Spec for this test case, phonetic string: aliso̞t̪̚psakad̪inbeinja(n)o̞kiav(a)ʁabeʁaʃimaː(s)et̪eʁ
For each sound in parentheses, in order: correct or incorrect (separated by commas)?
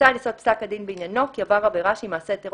correct, correct, correct